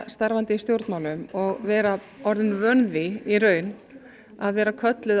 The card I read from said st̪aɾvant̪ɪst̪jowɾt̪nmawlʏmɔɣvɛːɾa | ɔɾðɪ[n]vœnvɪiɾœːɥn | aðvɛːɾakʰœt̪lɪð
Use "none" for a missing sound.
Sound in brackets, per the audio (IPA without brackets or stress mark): n